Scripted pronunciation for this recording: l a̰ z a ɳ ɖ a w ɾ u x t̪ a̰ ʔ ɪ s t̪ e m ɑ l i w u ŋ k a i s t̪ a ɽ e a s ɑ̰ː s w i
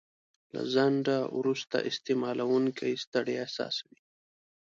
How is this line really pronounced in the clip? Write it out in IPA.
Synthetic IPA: l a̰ z a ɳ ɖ a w ɾ u s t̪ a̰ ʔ ɪ s t̪ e m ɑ l a w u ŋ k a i s t̪ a ɽ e a s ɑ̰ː s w i